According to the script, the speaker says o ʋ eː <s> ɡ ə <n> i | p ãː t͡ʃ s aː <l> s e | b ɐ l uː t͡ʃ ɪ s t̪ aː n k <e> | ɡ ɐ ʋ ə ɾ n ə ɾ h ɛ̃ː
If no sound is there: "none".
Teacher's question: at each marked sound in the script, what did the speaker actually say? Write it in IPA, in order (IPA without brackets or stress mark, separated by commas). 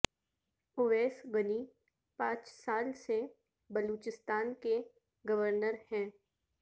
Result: s, n, l, e